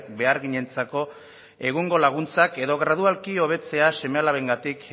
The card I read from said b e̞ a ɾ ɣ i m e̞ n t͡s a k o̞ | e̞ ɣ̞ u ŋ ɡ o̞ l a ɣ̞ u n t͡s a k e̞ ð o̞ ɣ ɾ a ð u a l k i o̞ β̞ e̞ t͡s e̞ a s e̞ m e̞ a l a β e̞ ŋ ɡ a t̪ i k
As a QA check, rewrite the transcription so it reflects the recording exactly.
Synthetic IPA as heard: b e̞ a ɾ ɣ i ɲ e̞ n t͡s a k o̞ | e̞ ɣ̞ u ŋ ɡ o̞ l a ɣ̞ u n t͡s a k e̞ ð o̞ ɣ ɾ a ð u a l k i o̞ β̞ e̞ t͡s e̞ a s e̞ m e̞ a l a β e̞ ŋ ɡ a t̪ i k